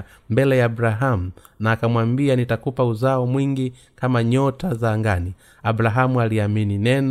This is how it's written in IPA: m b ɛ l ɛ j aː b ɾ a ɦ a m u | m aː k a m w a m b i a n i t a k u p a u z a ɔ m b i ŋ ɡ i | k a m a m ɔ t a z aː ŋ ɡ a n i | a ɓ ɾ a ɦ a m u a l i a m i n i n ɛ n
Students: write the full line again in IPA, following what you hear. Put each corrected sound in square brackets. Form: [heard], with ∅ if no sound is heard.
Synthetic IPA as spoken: m b ɛ l ɛ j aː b ɾ a ɦ a m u | [n] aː k a m w a m b i a n i t a k u p a u z a ɔ m [w] i ŋ ɡ i | k a m a [ɲ] ɔ t a z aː ŋ ɡ a n i | a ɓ ɾ a ɦ a m u a l i a m i n i n ɛ n